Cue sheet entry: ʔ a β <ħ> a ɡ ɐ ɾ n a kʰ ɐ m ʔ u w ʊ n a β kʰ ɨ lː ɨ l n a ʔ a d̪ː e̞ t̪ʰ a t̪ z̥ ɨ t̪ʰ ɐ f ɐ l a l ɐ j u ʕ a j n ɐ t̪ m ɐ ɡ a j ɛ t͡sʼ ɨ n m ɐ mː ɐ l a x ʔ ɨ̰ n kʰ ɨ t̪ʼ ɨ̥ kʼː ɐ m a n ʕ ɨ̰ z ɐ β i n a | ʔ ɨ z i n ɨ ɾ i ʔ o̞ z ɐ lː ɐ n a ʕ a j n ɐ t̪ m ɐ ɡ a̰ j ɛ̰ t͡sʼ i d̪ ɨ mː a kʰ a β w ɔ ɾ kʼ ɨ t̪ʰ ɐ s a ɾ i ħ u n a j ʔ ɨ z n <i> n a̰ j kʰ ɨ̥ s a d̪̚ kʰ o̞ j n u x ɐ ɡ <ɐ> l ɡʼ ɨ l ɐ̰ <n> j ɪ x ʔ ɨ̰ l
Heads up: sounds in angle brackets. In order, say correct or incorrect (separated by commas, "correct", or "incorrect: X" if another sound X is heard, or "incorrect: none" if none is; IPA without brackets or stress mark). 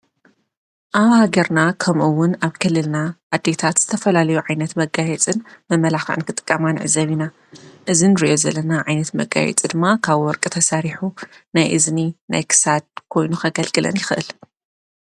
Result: incorrect: h, correct, correct, correct